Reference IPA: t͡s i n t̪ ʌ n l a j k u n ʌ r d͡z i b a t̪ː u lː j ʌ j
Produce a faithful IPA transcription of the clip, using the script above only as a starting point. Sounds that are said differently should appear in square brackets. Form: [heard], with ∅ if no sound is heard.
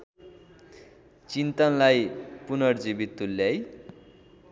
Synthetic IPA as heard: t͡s i n t̪ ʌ n l a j [p] u n ʌ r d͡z i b [i] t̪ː u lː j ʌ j

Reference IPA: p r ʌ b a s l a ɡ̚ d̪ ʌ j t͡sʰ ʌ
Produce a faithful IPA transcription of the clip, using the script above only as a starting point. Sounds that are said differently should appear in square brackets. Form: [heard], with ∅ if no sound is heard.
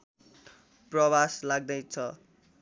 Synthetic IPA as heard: p r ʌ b a s l a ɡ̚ d̪ ʌ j t͡sʰ ʌ

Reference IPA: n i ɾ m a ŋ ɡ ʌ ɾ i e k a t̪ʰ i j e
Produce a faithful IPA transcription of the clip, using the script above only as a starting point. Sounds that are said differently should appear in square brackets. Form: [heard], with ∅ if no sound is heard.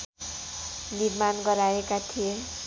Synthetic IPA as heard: n i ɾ m a [n] ɡ ʌ ɾ [a] e k a t̪ʰ i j e

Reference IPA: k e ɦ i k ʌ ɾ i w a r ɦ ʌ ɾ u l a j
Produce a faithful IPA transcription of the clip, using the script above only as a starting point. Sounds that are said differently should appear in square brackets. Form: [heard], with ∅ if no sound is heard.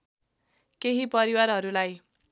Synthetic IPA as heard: k e ɦ i [p] ʌ ɾ i w a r ɦ ʌ ɾ u l a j

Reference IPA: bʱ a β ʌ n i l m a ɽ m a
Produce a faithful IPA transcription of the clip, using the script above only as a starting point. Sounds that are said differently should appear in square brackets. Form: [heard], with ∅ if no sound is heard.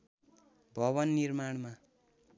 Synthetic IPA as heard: bʱ [ʌ] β ʌ [nː] i [r] m a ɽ m a

